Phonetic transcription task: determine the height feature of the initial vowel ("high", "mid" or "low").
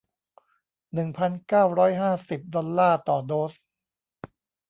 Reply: high